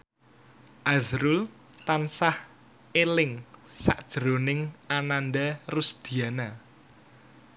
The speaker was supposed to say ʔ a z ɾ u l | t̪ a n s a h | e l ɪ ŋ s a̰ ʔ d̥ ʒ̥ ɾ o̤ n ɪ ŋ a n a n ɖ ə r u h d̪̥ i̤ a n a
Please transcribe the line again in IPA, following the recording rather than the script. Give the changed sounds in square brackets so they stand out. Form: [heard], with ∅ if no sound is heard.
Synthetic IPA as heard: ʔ a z ɾ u l | t̪ a n s a h | e l ɪ ŋ s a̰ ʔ d̥ ʒ̥ ɾ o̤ n ɪ ŋ a n a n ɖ [a] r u [s] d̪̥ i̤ a n a